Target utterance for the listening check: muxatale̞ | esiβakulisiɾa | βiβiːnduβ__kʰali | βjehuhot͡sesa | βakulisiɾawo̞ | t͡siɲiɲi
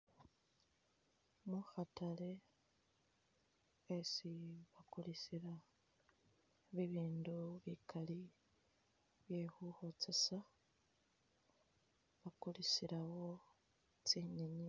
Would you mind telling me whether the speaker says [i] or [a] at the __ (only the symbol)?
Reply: i